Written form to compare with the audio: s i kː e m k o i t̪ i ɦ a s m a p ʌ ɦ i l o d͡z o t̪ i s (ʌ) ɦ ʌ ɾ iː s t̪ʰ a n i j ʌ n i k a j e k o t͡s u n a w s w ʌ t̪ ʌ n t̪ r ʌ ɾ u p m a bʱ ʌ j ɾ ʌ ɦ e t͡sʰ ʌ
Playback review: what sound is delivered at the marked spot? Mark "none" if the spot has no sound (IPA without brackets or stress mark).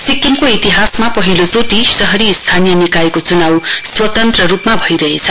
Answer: ʌ